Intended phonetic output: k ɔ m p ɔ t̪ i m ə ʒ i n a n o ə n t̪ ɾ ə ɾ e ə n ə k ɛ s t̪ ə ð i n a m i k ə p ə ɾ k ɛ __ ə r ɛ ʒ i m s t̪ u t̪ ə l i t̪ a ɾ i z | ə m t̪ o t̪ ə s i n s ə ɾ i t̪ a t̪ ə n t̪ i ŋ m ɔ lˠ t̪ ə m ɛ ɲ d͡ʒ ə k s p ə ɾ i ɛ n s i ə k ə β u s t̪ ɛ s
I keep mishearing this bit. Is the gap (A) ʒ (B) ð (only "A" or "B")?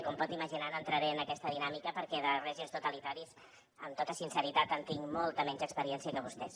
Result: B